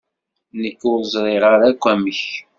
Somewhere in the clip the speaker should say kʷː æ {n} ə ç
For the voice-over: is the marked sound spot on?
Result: no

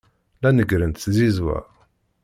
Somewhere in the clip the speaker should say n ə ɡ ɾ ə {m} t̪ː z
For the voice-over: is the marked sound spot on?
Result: no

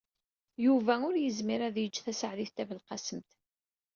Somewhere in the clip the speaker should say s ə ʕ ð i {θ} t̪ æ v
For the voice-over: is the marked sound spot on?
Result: yes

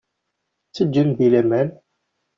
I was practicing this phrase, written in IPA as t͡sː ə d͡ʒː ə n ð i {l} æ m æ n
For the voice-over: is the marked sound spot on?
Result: yes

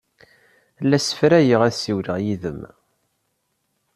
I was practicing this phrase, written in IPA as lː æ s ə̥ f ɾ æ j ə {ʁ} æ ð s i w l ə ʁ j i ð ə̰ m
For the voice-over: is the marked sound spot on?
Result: yes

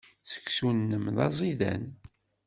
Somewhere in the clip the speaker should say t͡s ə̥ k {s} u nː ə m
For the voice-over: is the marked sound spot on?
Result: yes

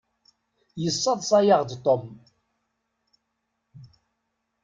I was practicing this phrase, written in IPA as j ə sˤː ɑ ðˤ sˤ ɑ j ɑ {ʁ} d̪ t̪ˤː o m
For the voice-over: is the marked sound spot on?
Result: yes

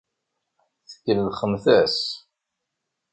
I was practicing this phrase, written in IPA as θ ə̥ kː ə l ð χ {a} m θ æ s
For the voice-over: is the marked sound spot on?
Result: no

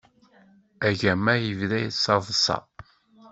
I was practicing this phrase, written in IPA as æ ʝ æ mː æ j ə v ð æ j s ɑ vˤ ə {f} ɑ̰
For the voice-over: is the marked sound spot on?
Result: no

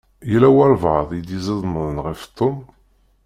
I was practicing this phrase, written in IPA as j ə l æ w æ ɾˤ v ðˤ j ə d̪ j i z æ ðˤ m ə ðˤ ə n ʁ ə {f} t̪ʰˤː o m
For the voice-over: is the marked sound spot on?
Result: yes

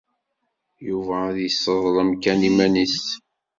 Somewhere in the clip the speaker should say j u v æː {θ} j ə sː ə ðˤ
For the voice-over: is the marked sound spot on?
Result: no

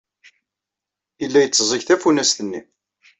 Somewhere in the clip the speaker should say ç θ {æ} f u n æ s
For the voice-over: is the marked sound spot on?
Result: yes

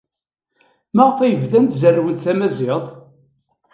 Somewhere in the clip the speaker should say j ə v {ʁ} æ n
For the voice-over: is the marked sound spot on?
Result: no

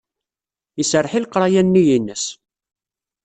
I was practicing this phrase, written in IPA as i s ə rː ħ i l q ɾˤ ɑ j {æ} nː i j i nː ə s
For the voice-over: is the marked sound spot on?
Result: yes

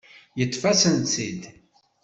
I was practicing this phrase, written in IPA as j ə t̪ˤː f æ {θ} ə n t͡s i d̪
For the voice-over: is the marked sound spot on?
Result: no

